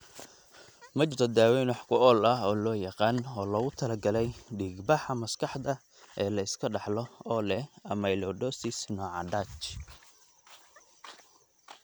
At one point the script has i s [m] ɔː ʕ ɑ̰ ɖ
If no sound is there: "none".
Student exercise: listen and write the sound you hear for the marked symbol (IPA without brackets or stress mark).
n